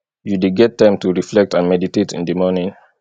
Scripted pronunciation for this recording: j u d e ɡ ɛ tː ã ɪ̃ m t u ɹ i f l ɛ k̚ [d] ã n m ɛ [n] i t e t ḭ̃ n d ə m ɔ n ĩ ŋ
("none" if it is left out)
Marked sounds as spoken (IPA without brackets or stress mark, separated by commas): t, d